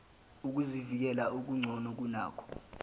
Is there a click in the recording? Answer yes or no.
yes